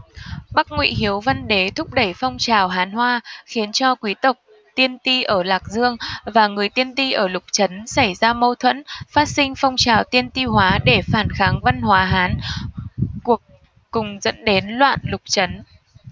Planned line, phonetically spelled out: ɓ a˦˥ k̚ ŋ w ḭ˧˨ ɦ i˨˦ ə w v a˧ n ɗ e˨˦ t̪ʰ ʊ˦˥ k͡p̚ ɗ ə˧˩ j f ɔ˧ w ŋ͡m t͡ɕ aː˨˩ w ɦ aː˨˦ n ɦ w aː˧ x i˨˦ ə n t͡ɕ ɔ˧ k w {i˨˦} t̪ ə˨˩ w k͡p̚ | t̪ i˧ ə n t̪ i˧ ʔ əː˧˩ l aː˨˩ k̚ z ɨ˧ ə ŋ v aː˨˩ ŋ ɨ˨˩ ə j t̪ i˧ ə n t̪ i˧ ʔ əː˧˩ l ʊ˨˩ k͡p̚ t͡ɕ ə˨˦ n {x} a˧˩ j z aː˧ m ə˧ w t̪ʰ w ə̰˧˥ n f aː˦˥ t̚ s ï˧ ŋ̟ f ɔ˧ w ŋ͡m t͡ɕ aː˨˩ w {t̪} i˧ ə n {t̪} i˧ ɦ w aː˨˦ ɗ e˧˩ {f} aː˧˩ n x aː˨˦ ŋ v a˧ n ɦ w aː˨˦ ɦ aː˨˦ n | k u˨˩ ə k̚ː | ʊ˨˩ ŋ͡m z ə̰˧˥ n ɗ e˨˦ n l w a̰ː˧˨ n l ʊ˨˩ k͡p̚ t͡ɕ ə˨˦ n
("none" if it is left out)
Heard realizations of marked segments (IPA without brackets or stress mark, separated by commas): i˨˦, s, t̪, t̪, f